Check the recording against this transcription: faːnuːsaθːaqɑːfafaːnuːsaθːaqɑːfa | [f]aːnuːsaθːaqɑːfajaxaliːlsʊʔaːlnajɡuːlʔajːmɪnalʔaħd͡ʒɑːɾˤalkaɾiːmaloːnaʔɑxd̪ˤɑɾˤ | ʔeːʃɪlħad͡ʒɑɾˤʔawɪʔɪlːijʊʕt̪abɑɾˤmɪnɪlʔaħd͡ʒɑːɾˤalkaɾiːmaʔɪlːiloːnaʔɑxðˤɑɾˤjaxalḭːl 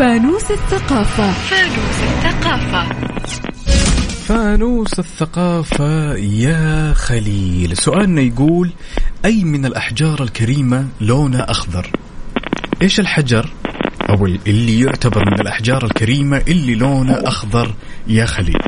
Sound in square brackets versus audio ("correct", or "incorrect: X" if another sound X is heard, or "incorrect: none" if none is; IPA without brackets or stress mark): correct